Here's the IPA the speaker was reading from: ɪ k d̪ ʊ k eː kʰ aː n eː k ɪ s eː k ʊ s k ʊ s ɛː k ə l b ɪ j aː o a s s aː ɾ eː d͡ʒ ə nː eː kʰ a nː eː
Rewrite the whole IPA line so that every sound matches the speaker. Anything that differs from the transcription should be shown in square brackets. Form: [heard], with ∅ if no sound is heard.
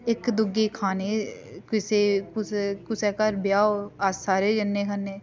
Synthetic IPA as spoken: ɪ k d̪ ʊ [ɡ] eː kʰ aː n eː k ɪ s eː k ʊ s k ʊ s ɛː k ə [ɾ] b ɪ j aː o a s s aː ɾ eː d͡ʒ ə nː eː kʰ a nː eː